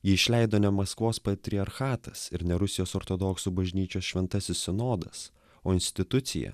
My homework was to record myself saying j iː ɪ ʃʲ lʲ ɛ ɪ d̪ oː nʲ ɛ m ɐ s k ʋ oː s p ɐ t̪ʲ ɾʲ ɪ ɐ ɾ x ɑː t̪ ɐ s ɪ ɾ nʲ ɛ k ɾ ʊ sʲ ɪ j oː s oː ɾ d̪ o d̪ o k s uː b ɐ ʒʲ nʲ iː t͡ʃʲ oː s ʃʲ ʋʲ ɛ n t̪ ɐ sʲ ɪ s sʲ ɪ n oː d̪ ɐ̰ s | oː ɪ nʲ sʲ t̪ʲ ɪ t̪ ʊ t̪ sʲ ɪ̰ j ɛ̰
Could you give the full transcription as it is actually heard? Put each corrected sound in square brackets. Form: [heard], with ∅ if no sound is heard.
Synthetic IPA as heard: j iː ɪ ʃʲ lʲ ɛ ɪ d̪ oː nʲ ɛ m ɐ s k ʋ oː s p ɐ t̪ʲ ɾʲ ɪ ɐ ɾ x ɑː t̪ ɐ s ɪ ɾ nʲ ɛ [∅] ɾ ʊ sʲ ɪ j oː s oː ɾ [t̪] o d̪ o k s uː b ɐ ʒʲ nʲ iː t͡ʃʲ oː s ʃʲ ʋʲ ɛ n t̪ ɐ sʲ ɪ s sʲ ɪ n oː d̪ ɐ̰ s | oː ɪ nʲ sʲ t̪ʲ ɪ t̪ ʊ t̪ sʲ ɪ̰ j ɛ̰